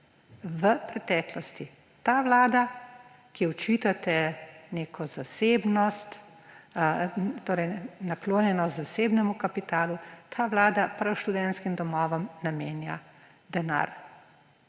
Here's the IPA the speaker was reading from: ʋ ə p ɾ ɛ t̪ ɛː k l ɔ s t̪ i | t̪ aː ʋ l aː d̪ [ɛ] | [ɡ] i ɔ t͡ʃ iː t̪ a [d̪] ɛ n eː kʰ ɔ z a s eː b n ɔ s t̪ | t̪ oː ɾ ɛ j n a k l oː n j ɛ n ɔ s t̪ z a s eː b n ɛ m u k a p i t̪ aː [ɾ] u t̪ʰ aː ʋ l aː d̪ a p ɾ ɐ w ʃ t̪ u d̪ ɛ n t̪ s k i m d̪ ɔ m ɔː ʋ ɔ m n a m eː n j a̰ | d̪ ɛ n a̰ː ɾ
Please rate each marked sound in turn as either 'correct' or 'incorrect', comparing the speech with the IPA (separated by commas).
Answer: incorrect, incorrect, incorrect, incorrect